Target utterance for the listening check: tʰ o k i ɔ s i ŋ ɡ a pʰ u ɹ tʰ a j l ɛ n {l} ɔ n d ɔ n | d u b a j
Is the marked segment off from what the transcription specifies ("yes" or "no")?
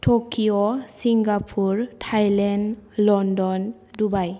no